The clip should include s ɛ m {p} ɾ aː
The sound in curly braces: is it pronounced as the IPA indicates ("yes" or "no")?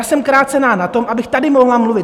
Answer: no